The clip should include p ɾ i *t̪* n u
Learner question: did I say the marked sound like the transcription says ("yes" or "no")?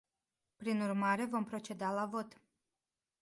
no